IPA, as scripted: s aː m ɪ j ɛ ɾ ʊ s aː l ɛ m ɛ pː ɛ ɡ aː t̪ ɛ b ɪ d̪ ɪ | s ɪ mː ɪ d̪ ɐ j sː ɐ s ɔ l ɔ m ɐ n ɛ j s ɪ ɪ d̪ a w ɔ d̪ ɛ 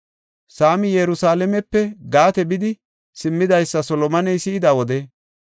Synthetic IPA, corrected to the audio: s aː m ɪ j ɛ ɾ ʊ s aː l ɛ m ɛ pː ɛ ɡ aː t̪ ɛ b ɪ d̪ ɪ | s ɪ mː ɪ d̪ ɐ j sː ɐ s ɔ l ɔ m ɐ n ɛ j s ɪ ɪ d̪ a w ɔ d̪ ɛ